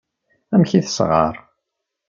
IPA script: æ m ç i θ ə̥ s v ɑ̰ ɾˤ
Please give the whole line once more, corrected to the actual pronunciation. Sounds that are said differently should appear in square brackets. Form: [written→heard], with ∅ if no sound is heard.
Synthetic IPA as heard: æ m ç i θ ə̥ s [v→ʁ] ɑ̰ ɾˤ